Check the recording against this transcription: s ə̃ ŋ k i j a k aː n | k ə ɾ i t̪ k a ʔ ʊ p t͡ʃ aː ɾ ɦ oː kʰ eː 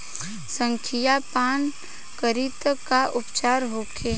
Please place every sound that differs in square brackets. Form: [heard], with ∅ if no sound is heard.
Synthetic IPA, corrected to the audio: s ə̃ ŋ [kʰ] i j a [p] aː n | k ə ɾ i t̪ k a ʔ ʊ p t͡ʃ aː ɾ ɦ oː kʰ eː